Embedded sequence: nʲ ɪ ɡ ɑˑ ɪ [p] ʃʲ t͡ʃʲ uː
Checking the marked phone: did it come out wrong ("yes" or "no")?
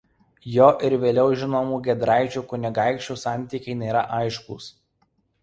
yes